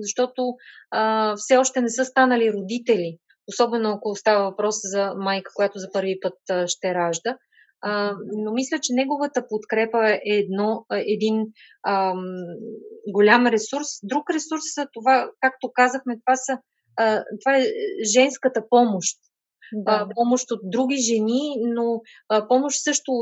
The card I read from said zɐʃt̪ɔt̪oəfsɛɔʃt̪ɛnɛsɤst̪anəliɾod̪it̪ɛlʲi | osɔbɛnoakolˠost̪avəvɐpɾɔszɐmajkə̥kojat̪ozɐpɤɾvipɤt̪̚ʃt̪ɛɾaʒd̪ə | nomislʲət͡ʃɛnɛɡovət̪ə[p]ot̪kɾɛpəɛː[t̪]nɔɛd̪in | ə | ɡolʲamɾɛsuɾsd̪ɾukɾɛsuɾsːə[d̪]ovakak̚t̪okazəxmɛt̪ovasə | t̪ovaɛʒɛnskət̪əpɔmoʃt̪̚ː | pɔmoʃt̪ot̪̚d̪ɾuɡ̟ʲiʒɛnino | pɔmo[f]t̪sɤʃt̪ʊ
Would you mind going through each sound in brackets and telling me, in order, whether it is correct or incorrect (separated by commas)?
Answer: correct, incorrect, incorrect, incorrect